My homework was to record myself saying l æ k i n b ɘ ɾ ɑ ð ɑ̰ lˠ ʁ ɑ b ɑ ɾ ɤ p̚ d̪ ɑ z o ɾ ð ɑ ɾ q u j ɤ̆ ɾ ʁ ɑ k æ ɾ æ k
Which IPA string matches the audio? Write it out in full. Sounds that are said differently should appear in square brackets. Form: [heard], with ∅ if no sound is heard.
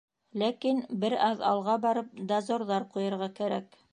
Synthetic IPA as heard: l æ k i n b ɘ ɾ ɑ ð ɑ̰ lˠ ʁ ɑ b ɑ ɾ ɤ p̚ d̪ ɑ z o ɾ ð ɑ ɾ q u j ɤ̆ ɾ ʁ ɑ k æ ɾ æ k